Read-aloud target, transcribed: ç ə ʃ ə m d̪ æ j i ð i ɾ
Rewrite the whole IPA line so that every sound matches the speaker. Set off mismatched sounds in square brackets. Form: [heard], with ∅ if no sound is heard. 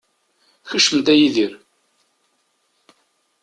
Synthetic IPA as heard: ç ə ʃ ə m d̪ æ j i ð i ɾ